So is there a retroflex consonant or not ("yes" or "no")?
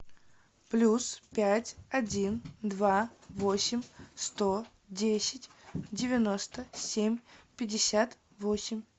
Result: no